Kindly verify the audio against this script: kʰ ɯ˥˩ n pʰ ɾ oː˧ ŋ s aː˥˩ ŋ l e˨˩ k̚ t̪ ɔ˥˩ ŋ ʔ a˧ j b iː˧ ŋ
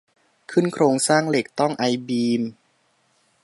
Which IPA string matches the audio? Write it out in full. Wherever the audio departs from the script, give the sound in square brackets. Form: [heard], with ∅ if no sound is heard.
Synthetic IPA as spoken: kʰ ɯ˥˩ n [kʰ] ɾ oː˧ ŋ s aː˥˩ ŋ l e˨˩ k̚ t̪ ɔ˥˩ ŋ ʔ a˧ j b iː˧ [m]